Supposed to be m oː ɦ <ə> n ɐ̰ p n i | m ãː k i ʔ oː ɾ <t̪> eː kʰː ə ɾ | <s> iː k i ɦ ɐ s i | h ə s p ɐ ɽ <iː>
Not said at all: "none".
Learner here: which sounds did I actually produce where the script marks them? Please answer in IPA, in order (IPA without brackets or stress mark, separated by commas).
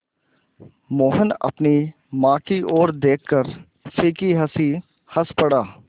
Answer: ə, d̪, s, aː